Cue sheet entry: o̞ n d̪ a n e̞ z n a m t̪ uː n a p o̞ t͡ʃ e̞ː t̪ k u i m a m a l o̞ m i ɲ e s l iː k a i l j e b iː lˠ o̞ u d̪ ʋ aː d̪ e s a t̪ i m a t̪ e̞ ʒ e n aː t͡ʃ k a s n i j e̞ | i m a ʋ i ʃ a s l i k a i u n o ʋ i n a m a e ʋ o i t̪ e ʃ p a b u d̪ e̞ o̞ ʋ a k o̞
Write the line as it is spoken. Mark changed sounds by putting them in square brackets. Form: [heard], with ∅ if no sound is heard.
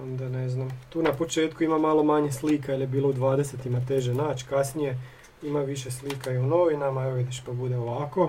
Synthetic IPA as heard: o̞ n d̪ a n e̞ z n a m t̪ uː n a p o̞ t͡ʃ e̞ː t̪ k u i m a m a l o̞ m [a] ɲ e s l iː k a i l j e b iː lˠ o̞ u d̪ ʋ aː d̪ e s [e] t̪ i m a t̪ e̞ ʒ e n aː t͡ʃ k a s n i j e̞ | i m a ʋ i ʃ [e] s l i k a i u n o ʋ i n a m a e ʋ o i [d̪] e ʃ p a b u d̪ e̞ o̞ ʋ a k o̞